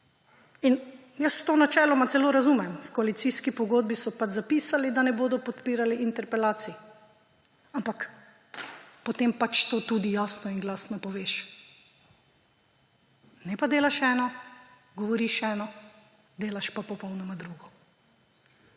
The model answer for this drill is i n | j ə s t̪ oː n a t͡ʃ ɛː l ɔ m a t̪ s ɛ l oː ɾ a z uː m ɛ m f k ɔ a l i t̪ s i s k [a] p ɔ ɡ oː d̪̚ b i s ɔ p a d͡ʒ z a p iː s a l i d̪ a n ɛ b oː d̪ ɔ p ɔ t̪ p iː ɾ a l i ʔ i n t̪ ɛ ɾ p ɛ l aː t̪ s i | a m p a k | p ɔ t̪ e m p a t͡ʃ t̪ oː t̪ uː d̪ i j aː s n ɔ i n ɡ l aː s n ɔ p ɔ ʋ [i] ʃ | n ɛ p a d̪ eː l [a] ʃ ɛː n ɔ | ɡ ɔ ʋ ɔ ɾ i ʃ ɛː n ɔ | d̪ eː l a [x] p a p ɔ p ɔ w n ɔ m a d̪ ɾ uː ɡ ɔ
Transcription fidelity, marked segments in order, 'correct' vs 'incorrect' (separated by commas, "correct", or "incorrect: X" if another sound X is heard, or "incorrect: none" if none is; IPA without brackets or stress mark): incorrect: i, incorrect: e, correct, incorrect: ʃ